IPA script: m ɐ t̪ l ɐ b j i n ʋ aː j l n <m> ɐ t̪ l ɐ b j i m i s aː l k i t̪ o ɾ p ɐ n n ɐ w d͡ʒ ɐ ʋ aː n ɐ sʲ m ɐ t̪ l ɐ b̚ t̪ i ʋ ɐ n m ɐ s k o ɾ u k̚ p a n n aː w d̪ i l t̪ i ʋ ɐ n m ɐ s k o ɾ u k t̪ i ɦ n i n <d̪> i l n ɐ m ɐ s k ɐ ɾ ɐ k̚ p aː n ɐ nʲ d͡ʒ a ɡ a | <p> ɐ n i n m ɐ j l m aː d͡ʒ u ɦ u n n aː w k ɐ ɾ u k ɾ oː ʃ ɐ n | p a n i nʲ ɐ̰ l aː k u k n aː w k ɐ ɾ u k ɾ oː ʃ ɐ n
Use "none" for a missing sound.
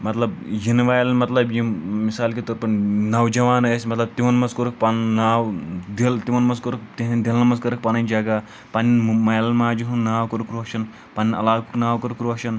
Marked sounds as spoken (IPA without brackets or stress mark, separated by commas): m, d̪, p